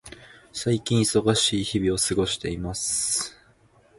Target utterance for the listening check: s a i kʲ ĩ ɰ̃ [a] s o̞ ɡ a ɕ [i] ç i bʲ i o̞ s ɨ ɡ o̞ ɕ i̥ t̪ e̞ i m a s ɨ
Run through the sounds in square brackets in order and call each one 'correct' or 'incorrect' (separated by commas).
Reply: incorrect, incorrect